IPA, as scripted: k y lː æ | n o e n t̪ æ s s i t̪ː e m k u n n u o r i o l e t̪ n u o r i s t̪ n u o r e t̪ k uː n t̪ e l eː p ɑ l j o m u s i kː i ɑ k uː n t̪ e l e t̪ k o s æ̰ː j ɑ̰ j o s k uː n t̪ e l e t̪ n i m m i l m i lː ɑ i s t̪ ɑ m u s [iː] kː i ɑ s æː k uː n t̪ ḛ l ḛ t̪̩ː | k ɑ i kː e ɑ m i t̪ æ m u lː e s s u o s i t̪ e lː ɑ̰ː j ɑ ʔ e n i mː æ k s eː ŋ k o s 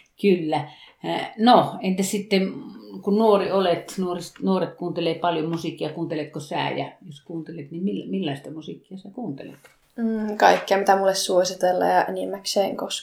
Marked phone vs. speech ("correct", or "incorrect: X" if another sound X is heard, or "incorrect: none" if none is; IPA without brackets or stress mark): incorrect: i